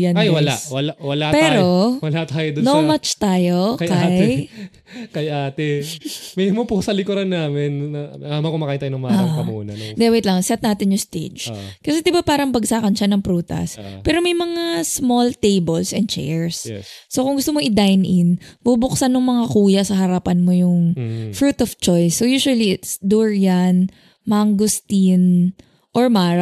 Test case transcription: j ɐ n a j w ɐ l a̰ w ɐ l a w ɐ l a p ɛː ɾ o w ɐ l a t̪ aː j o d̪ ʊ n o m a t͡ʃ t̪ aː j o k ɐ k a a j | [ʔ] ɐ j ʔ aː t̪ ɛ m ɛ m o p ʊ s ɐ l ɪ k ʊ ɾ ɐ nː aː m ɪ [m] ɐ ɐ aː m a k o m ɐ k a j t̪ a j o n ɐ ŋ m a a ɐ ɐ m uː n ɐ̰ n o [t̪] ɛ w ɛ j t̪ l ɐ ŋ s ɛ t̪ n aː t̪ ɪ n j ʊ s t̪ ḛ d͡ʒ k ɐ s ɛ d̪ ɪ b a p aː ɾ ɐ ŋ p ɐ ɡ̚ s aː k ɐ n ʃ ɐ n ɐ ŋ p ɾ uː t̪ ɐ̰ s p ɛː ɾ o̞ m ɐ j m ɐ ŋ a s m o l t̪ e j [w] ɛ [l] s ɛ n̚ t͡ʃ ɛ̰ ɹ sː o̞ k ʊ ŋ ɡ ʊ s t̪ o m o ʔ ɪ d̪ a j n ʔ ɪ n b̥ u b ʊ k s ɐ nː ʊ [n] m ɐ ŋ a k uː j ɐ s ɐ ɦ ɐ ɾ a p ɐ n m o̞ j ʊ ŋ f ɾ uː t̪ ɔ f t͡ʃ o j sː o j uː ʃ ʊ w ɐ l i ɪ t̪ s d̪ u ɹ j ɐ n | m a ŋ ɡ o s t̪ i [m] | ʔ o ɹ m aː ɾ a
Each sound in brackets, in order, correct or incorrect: incorrect: k, incorrect: n, incorrect: d̪, incorrect: b, correct, incorrect: ŋ, incorrect: n

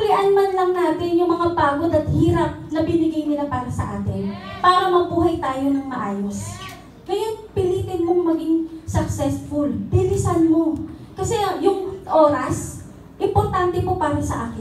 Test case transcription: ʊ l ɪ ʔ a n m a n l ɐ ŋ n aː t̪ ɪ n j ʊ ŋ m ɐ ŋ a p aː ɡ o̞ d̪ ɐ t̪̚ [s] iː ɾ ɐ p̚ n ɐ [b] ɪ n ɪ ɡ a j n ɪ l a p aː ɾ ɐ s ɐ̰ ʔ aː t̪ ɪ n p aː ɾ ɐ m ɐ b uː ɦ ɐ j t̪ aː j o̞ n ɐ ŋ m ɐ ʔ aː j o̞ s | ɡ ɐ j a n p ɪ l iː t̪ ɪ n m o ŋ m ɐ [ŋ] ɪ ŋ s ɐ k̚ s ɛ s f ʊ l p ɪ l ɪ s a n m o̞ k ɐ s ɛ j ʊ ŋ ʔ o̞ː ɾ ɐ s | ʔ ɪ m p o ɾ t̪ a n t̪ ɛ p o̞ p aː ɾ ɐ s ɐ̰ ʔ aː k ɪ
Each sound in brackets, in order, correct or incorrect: incorrect: h, correct, incorrect: ɡ

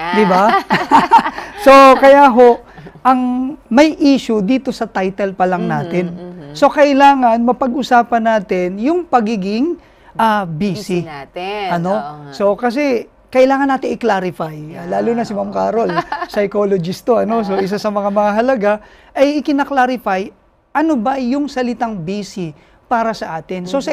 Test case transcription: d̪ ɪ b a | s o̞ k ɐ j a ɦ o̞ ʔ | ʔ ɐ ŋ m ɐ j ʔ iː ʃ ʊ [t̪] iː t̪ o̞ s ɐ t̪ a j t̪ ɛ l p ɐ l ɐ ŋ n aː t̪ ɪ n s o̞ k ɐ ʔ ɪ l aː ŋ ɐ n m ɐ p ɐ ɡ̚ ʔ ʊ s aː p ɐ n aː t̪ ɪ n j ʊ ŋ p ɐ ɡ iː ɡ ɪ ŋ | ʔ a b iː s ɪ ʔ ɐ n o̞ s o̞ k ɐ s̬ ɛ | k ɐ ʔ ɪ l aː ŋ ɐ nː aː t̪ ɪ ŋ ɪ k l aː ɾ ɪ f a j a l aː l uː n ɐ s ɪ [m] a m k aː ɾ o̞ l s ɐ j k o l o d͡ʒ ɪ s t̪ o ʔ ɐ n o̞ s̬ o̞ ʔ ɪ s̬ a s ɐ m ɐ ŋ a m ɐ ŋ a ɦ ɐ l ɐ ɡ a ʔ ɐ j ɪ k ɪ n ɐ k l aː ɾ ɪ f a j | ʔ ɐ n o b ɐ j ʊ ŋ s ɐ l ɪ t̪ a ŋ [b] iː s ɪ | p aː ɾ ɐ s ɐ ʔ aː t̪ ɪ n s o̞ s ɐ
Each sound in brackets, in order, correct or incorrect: incorrect: d̪, correct, correct

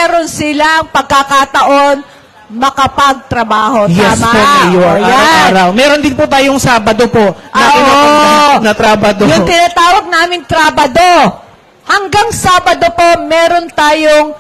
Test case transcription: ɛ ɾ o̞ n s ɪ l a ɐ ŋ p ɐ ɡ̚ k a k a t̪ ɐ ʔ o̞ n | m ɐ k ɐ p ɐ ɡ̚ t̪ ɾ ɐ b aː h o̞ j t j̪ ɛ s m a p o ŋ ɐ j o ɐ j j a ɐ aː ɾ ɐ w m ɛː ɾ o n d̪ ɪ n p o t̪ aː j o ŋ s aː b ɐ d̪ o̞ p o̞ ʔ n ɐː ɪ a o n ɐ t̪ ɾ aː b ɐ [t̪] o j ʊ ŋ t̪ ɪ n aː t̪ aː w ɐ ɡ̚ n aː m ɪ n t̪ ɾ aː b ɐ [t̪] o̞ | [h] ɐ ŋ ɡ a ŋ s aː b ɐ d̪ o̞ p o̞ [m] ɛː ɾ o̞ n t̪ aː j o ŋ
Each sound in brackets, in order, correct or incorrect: incorrect: d̪, incorrect: d̪, correct, correct

